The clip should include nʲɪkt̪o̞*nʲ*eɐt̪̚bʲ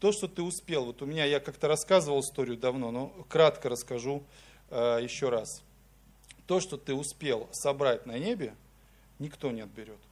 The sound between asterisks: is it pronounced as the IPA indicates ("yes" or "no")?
yes